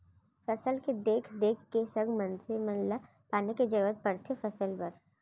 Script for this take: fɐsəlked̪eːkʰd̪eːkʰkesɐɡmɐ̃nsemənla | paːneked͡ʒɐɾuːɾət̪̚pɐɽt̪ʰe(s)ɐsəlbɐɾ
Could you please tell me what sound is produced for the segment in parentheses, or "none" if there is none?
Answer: f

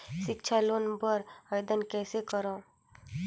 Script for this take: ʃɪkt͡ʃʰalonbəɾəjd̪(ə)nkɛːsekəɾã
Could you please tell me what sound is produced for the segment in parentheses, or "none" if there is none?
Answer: ə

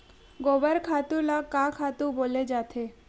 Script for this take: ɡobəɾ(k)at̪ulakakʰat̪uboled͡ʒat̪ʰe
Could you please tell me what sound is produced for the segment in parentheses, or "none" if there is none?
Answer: kʰ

